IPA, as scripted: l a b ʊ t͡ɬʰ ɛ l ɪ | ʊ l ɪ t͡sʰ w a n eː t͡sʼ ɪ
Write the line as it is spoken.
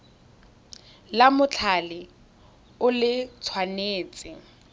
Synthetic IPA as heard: l a m ʊ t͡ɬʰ a l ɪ | ʊ l ɪ t͡sʰ w a n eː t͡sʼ ɪ